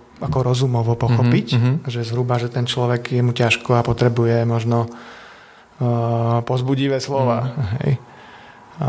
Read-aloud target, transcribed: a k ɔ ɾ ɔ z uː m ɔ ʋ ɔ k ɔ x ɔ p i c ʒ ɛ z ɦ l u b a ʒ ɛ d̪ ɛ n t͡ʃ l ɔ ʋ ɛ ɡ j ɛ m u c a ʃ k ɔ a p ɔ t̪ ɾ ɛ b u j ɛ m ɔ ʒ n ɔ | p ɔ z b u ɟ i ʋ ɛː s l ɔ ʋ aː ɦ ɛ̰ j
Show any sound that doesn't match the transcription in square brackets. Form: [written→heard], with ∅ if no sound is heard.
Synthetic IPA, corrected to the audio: a k ɔ ɾ ɔ z [uː→u] m ɔ ʋ ɔ [k→p] ɔ x ɔ p i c ʒ ɛ z ɦ [l→ɾ] u b a ʒ ɛ [d̪→t̪] ɛ n t͡ʃ l ɔ ʋ ɛ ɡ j ɛ m u c a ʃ k ɔ a p ɔ t̪ ɾ ɛ b u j ɛ m ɔ ʒ n ɔ | p ɔ z b u ɟ i ʋ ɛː s l ɔ ʋ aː ɦ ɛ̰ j